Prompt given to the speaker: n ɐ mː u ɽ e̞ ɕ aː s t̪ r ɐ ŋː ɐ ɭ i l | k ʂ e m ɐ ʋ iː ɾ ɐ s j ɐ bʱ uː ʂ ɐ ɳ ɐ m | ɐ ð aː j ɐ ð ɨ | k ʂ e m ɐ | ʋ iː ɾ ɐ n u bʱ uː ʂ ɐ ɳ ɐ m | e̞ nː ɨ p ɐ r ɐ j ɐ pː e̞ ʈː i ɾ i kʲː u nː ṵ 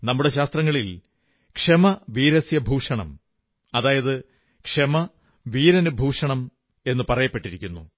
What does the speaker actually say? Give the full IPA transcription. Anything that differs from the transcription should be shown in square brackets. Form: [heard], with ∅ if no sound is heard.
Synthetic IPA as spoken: n ɐ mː u ɽ e̞ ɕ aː s t̪ r ɐ ŋː ɐ ɭ i l | k ʂ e m ɐ ʋ iː ɾ ɐ s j ɐ bʱ uː ʂ ɐ ɳ ɐ m | ɐ ð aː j ɐ ð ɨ | k ʂ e m ɐ | ʋ iː ɾ ɐ n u bʱ uː ʂ ɐ ɳ ɐ m | e̞ nː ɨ p ɐ r ɐ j ɐ pː e̞ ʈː i ɾ i kʲː u nː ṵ